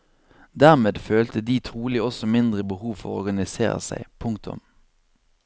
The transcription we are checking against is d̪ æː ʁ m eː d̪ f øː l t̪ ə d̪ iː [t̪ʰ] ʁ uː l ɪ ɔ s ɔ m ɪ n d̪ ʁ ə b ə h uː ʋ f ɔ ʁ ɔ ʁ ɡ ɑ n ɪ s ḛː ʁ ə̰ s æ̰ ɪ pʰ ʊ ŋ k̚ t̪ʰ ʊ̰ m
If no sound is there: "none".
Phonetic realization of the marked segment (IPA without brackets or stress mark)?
t̪ʰ